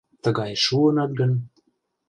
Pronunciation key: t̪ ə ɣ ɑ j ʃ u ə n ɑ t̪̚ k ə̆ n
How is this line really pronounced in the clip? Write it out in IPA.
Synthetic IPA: t̪ ə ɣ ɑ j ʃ u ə n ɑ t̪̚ ɡ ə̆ n

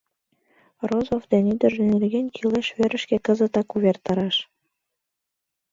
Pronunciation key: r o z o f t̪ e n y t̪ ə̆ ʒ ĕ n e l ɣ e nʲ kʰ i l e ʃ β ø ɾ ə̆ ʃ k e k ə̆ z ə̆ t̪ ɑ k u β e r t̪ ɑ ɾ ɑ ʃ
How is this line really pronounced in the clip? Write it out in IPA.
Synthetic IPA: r o z o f d̪ e n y d̪ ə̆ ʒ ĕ n e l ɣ e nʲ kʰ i l e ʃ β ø ɾ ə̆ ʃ k e k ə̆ z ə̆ t̪ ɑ k u β e r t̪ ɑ ɾ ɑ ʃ

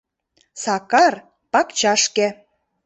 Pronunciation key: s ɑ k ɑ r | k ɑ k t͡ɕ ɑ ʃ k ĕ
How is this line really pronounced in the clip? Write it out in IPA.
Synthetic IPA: s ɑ k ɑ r | p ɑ k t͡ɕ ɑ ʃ k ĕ

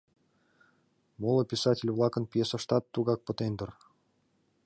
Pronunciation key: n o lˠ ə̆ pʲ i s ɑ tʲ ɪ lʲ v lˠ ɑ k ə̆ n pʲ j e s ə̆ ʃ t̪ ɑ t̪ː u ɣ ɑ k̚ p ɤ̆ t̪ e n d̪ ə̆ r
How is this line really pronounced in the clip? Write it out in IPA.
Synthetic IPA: m o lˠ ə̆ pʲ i s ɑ tʲ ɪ lʲ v lˠ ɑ k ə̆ n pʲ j e s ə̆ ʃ t̪ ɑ t̪ː u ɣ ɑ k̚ p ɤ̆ t̪ e n d̪ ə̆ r

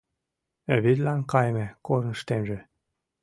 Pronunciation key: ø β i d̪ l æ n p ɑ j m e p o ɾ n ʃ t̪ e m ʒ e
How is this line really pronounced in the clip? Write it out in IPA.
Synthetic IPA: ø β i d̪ l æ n k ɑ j m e k o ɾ n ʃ t̪ e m ʒ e

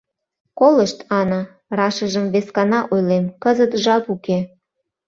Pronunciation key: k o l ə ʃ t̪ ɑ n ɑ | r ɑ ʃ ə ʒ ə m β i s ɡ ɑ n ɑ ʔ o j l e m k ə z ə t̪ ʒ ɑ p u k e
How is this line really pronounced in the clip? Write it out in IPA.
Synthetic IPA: k o l ə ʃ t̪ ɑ n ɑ | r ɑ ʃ ə ʒ ə m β e s k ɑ n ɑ ʔ o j l e m k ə z ə t̪ ʒ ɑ p u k e

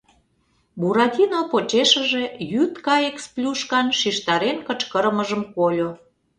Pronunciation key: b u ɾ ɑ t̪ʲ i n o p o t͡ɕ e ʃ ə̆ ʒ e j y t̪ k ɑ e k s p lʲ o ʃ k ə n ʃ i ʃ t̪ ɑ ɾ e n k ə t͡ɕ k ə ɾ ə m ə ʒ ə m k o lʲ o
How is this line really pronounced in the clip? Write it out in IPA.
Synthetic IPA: b u ɾ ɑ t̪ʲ i n o p o t͡ɕ e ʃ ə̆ ʒ e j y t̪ k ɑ e k s p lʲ u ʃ k ɑ n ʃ i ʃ t̪ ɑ ɾ e n k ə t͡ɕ k ə ɾ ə m ə ʒ ə m k o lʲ o

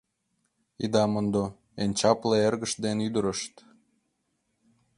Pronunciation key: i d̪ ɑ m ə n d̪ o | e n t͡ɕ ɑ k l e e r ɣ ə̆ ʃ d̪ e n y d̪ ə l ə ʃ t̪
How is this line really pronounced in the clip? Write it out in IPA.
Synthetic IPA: i d̪ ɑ m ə n d̪ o | e n t͡ɕ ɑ p l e e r ɣ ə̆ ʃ d̪ e n y d̪ ə ɾ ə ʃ t̪

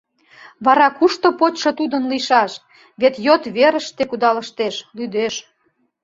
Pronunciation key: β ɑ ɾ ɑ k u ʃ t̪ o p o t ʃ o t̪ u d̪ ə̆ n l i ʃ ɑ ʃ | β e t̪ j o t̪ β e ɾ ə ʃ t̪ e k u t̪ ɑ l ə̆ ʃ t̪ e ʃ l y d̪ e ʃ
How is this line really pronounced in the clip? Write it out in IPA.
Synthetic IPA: β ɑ ɾ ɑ k u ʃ t̪ o p o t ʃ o t̪ u d̪ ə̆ n l i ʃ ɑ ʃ | β e t̪ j o t̪ β e ɾ ə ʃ t̪ e k u d̪ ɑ l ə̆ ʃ t̪ e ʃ l y d̪ e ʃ

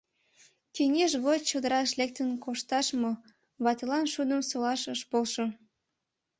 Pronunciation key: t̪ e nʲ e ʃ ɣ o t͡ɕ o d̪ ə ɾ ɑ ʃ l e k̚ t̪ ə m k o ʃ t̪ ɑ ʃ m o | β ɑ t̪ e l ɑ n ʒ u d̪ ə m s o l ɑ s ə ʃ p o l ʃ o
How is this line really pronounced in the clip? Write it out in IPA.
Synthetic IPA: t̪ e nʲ e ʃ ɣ o t͡ɕ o d̪ ə ɾ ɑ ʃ l e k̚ t̪ ə n k o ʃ t̪ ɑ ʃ m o | β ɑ t̪ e l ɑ n ʃ u d̪ ə m s o l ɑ ʃ ə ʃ p o l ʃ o

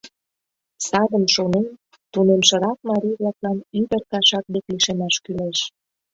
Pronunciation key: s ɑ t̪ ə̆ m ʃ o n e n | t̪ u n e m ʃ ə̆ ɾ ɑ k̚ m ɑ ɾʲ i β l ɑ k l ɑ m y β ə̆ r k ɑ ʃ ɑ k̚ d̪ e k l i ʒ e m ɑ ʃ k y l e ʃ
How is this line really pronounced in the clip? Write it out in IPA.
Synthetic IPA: s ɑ d̪ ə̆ m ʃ o n e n | t̪ u n e m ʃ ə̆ ɾ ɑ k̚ m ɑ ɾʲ i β l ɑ k l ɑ n y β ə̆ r k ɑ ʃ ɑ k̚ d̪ e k l i ʃ e m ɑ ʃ k y l e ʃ

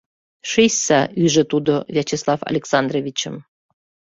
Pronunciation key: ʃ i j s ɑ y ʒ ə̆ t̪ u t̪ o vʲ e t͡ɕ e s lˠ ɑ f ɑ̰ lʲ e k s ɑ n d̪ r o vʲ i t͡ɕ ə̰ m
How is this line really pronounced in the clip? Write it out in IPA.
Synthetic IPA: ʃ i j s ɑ y ʒ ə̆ t̪ u d̪ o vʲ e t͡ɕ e s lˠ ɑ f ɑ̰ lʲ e k s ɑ n d̪ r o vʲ i t͡ɕ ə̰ m

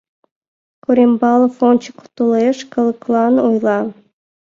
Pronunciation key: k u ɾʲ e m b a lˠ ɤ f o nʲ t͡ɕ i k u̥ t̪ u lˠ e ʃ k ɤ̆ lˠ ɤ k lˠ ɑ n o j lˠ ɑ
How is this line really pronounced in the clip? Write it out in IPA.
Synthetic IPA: k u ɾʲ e m b ɑ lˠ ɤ f o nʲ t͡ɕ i k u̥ t̪ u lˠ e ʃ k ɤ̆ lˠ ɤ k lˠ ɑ n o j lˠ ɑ

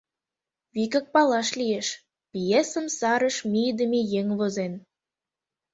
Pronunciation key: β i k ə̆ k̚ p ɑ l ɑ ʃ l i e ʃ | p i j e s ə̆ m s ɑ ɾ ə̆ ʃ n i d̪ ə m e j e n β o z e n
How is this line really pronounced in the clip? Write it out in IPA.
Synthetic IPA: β i k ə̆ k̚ p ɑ l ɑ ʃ l i e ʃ | p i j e s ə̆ m s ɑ ɾ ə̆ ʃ m i d̪ ə m e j e ŋ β o z e n

